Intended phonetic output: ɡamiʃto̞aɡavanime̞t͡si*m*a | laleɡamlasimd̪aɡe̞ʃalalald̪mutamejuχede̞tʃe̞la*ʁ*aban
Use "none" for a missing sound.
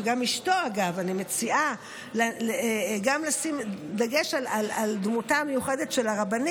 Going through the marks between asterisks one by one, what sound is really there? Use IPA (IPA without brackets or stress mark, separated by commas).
none, ʁ